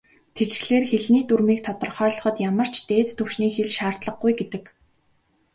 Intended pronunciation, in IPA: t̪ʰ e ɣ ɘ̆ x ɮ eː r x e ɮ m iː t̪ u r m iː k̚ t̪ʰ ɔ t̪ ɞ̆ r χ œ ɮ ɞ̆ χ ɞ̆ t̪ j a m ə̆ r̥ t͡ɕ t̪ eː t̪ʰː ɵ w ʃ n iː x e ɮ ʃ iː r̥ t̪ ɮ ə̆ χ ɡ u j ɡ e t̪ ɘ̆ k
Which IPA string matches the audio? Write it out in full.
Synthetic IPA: t̪ʰ e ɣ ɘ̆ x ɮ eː r x e ɮ n iː t̪ u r m iː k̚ t̪ʰ ɔ t̪ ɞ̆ r χ œː ɮ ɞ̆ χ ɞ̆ t̪ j a m ə̆ r̥ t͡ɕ t̪ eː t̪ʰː ɵ w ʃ n iː x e ɮ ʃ aː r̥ t̪ ɮ ə̆ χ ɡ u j ɡ e t̪ ɘ̆ k